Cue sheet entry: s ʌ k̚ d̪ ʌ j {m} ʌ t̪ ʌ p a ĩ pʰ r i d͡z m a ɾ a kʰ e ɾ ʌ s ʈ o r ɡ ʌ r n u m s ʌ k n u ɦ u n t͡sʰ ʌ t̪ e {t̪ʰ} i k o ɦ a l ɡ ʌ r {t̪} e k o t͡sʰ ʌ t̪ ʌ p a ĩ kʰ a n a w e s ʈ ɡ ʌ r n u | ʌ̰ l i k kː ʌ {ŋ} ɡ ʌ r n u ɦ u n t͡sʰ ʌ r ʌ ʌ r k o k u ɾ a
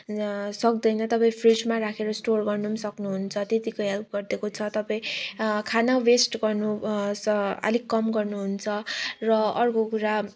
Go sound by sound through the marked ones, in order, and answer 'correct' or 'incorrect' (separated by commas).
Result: incorrect, incorrect, incorrect, incorrect